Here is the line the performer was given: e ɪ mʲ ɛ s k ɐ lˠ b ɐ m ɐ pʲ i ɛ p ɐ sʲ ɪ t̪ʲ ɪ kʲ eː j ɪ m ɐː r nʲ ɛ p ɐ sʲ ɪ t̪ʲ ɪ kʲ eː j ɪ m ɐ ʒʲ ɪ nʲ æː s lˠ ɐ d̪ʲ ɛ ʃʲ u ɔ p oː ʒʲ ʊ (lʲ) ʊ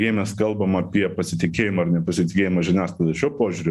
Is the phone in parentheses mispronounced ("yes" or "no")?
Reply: yes